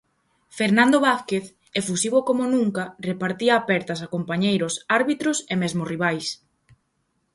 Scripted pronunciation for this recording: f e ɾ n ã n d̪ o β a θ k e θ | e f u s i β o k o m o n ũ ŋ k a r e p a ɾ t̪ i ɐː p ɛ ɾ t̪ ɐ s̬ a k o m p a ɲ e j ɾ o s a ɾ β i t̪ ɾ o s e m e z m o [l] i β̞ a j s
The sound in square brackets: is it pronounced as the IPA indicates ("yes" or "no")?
no